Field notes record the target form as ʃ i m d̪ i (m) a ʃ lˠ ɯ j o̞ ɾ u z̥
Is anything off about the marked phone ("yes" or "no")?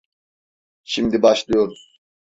yes